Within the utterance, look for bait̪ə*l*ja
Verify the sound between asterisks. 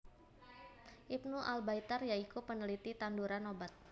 incorrect: r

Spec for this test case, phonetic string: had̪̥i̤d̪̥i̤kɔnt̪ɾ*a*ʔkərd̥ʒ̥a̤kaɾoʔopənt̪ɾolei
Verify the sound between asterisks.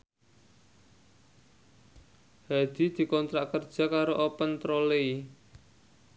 correct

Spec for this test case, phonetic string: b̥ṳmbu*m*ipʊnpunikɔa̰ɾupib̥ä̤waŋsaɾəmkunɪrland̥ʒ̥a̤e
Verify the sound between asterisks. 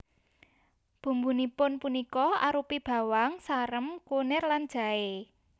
incorrect: n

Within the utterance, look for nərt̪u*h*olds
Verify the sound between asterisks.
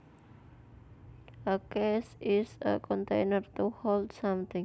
correct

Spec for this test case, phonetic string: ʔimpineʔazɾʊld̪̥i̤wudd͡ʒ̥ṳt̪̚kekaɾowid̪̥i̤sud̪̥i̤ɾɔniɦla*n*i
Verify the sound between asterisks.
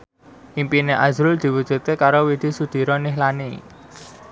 correct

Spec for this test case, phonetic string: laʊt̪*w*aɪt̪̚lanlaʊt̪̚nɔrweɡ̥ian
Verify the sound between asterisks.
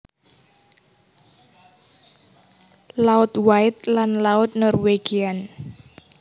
correct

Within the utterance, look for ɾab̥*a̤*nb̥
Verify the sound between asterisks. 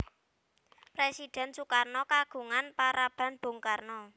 correct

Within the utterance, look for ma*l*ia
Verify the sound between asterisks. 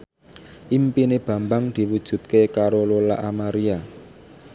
incorrect: ɾ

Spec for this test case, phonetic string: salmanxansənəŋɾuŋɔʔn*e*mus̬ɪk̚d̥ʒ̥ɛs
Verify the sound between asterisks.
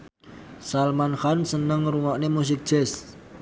correct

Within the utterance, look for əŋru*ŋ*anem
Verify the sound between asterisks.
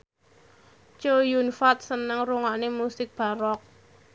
correct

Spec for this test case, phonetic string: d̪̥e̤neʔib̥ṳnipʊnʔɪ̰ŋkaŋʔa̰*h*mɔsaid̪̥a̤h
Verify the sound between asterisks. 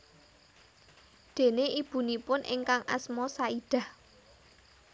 incorrect: s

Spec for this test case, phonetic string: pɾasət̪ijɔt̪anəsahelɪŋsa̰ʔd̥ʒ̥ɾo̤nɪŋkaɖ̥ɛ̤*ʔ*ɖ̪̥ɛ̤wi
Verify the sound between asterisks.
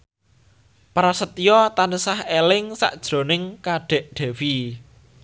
correct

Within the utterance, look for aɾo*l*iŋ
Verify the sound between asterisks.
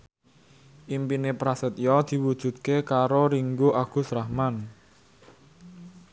incorrect: ɾ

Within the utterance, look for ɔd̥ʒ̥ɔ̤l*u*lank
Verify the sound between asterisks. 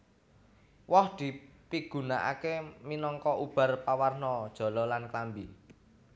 incorrect: ɔ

